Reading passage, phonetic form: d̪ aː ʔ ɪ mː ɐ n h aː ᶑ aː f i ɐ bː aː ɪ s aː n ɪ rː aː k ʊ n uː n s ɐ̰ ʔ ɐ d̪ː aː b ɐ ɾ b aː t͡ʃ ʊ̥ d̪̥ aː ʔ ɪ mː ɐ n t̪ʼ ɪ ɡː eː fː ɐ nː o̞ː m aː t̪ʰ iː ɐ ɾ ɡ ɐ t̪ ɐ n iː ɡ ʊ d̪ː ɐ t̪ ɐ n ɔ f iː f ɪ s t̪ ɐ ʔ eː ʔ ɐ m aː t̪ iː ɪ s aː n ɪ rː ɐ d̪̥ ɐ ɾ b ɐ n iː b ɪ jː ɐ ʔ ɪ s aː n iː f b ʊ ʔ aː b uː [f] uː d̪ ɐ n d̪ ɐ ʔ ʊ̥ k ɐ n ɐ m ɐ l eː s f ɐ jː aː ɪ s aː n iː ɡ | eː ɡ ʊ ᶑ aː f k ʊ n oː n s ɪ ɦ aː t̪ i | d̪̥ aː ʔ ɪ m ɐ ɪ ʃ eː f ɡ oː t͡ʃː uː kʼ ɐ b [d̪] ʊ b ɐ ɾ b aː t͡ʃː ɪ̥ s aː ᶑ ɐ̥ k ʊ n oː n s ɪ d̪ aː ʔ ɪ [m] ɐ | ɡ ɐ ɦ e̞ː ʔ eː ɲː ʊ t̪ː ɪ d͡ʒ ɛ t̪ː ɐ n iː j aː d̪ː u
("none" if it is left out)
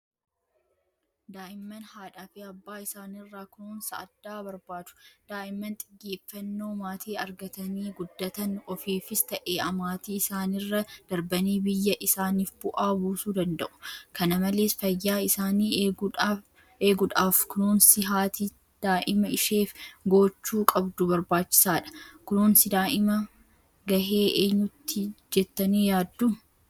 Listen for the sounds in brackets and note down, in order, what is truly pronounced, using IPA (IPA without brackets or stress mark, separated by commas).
s, d̪, m